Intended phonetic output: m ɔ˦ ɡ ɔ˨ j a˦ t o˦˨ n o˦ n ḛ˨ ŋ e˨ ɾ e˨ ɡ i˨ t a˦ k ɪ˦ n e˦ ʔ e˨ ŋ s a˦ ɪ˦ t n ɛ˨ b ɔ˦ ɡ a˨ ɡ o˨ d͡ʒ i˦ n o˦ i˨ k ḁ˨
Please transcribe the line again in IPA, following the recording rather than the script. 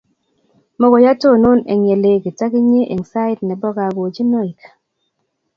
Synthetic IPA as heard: m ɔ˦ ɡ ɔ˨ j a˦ t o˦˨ n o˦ n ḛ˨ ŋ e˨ l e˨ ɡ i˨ t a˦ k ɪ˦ ɲ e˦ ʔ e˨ ŋ s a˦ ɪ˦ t n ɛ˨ b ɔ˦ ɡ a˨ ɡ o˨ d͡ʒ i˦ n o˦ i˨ k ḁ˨